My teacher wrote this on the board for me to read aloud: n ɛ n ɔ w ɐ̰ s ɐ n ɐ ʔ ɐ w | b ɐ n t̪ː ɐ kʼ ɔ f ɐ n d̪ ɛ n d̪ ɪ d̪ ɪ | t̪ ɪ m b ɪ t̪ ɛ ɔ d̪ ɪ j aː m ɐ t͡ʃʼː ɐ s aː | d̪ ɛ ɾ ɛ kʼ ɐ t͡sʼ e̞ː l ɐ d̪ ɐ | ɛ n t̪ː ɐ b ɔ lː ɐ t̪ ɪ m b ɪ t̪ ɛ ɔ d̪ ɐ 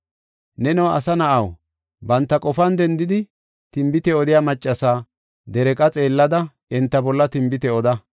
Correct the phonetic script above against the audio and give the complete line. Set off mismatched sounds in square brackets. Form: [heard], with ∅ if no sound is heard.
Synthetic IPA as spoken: n ɛ n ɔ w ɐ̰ s ɐ n ɐ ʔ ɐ w | b ɐ n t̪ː ɐ kʼ ɔ f ɐ n d̪ ɛ n d̪ ɪ d̪ ɪ | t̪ ɪ m b ɪ t̪ ɛ ɔ d̪ ɪ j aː m ɐ t͡ʃʼː ɐ s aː | d̪ ɛ ɾ ɛ kʼ ɐ t͡sʼ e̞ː [lː] ɐ d̪ ɐ | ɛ n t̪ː ɐ b ɔ lː ɐ t̪ ɪ m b ɪ t̪ ɛ ɔ d̪ ɐ